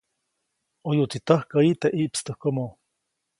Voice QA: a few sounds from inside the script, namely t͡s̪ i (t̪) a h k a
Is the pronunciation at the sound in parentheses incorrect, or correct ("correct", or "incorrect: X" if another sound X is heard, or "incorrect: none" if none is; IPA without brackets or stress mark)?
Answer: correct